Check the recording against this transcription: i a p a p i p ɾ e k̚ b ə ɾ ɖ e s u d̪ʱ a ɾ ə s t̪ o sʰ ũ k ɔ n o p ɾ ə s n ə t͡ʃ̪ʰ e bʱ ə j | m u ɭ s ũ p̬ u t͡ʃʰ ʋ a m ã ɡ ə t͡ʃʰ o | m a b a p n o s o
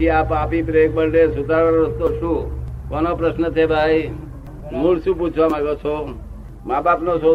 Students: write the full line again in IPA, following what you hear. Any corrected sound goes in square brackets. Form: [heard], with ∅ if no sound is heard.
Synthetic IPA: i a p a p i p ɾ e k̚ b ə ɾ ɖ e s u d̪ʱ a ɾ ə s t̪ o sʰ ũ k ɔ n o p ɾ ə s n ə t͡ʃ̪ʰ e bʱ [a] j | m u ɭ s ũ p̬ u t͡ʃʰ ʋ a m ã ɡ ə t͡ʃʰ o | m a b a p n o s o